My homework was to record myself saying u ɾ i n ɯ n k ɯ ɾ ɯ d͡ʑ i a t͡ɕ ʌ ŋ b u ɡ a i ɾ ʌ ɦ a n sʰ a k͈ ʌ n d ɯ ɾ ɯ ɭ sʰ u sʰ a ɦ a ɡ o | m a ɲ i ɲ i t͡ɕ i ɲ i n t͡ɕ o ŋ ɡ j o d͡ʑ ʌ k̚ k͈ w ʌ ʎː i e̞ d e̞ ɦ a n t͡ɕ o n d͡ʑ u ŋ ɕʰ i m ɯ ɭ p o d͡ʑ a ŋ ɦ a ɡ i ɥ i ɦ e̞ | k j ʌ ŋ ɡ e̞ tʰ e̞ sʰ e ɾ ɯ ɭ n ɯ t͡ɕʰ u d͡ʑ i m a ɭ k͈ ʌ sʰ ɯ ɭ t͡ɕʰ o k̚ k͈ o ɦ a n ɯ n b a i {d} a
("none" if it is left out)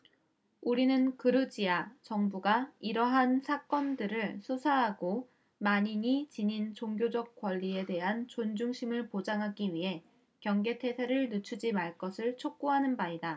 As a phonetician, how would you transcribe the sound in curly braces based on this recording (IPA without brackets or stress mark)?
d